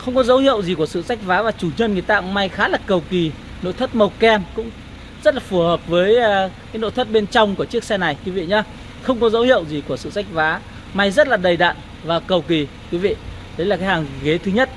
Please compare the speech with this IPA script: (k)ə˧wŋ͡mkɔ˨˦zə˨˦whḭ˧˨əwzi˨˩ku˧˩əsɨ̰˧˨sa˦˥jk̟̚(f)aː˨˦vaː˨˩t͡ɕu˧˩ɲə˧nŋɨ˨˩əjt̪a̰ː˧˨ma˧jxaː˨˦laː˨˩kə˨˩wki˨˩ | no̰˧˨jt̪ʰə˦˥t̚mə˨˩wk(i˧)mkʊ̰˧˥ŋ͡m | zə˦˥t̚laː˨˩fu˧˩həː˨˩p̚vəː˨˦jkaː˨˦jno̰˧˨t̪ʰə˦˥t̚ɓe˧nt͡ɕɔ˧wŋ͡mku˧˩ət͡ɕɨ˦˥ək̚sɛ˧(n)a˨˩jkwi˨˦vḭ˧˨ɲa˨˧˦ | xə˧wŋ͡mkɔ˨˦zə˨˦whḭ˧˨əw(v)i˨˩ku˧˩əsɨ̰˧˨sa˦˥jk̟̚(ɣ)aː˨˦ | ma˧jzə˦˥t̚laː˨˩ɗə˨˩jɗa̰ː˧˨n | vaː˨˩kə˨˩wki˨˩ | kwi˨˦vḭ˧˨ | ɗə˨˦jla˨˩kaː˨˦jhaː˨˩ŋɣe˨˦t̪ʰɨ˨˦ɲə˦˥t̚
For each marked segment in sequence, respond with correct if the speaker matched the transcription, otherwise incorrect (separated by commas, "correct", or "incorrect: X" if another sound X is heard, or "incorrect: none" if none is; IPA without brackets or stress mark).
incorrect: x, incorrect: v, incorrect: ɛ˧, correct, incorrect: z, incorrect: v